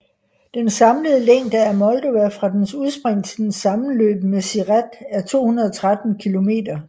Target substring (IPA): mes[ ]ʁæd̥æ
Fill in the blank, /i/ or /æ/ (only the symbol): i